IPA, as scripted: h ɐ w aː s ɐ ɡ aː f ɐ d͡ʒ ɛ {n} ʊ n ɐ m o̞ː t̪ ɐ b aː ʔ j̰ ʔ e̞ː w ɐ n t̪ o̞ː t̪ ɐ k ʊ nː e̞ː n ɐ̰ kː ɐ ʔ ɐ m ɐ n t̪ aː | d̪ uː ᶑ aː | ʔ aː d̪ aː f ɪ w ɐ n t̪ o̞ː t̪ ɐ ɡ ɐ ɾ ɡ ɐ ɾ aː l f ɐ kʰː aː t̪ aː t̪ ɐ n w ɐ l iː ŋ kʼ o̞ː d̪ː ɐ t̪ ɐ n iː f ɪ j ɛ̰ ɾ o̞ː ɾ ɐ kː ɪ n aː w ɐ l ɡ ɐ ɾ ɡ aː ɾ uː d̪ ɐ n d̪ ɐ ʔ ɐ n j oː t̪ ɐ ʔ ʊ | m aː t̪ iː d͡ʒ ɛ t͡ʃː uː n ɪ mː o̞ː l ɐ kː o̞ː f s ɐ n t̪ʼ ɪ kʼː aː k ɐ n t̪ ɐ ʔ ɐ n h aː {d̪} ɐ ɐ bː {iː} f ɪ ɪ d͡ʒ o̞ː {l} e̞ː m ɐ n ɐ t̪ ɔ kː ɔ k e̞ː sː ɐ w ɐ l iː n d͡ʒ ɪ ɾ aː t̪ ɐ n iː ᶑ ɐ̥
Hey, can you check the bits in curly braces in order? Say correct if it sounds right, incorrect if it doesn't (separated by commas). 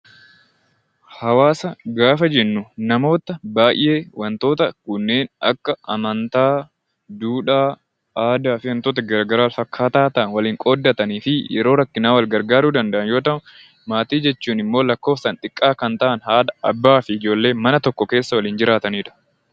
incorrect, correct, incorrect, incorrect